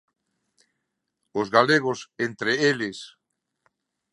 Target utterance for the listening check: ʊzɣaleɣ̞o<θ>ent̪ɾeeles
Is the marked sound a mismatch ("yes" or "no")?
yes